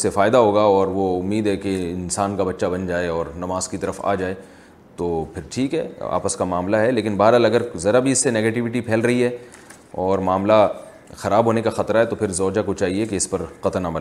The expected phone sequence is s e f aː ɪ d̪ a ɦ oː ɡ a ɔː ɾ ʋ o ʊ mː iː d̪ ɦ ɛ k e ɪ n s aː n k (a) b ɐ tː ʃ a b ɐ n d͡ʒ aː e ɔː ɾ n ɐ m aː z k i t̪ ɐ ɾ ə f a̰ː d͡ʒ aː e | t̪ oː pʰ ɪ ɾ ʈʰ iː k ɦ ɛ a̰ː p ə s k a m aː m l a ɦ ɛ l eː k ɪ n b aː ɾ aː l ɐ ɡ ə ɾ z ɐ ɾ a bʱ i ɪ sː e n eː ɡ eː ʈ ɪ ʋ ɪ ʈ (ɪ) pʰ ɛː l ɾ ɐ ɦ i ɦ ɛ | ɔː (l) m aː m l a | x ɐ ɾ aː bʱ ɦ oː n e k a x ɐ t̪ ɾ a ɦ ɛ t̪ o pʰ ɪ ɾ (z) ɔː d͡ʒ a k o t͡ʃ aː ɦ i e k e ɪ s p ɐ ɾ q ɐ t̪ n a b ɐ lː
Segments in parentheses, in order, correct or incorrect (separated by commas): correct, incorrect, incorrect, correct